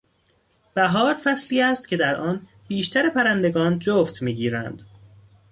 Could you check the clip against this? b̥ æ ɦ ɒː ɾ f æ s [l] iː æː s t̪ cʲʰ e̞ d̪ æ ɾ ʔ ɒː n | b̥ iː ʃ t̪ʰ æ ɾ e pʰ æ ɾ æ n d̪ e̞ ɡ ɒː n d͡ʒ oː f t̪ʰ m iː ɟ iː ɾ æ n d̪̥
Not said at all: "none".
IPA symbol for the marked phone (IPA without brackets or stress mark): l